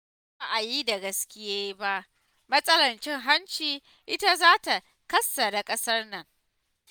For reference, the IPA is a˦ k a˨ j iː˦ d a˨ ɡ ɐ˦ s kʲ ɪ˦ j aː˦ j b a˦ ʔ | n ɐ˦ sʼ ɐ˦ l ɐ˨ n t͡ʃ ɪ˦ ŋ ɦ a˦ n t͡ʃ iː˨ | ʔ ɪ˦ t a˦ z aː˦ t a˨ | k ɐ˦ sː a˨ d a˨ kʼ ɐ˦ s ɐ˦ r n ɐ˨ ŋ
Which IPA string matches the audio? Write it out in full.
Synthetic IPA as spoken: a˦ ʔ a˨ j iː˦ d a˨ ɡ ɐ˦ s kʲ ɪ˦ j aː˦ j b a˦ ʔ | m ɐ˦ sʼ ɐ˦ l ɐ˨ n t͡ʃ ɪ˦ ŋ ɦ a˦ n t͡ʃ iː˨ | ʔ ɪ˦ t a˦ z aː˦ t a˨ | k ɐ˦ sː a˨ d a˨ kʼ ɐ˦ s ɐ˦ r n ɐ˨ ŋ